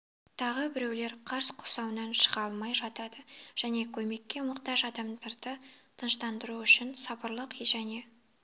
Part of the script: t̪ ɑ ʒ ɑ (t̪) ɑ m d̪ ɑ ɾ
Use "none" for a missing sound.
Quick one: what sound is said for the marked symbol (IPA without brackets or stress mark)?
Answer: d̪